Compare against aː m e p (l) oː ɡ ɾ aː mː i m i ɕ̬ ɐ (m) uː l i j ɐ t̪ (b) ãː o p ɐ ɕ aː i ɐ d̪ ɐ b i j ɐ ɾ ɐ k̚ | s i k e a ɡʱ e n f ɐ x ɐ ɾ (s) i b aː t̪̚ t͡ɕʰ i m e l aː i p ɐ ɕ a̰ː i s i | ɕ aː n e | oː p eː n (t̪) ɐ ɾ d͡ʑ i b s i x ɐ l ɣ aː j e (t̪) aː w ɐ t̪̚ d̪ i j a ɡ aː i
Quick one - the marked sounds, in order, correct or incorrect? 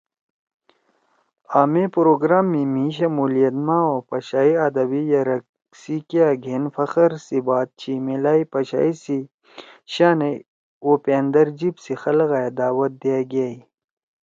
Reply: incorrect: ɾ, correct, incorrect: m, correct, incorrect: d̪, incorrect: d̪

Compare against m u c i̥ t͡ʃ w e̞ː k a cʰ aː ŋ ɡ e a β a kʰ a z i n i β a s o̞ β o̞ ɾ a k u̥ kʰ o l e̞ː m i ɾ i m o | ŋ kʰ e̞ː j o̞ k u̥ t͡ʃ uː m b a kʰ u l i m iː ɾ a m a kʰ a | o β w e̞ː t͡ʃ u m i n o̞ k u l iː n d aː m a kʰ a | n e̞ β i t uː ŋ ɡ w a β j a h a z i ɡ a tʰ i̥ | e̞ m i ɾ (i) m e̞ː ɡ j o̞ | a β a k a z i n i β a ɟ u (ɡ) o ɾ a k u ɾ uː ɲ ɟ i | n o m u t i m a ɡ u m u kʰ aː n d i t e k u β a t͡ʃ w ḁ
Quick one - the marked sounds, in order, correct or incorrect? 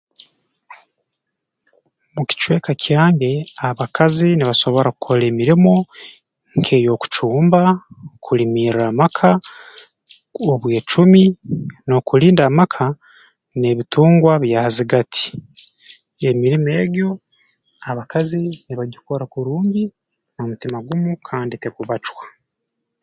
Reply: correct, incorrect: k

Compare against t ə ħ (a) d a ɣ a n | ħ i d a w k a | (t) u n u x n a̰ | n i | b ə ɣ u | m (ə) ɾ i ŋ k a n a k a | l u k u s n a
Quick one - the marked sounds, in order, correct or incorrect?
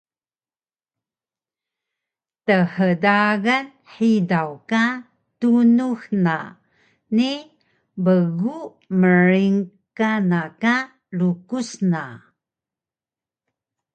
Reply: incorrect: ə, correct, correct

